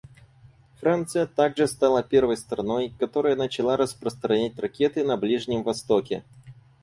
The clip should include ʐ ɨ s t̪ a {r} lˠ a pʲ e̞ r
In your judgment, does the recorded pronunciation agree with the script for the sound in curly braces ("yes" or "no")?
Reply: no